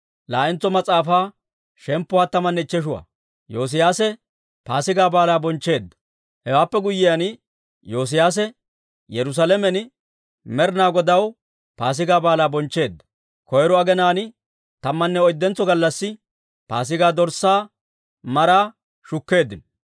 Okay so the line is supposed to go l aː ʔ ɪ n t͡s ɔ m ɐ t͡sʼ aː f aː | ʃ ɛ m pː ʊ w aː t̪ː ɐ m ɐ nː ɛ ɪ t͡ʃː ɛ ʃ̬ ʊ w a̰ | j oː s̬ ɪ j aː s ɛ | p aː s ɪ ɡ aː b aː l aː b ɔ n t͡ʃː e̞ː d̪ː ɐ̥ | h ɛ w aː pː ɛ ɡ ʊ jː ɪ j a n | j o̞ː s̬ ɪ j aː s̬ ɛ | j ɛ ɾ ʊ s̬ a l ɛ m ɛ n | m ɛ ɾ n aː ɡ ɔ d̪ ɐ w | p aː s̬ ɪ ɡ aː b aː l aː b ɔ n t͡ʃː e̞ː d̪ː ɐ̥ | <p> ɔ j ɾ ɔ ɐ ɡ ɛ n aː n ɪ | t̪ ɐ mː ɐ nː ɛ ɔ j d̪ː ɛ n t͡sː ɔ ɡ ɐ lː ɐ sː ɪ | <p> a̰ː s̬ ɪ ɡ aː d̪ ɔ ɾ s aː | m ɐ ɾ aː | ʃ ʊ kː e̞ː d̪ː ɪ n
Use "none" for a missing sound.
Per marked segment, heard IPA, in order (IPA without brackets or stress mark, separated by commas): k, p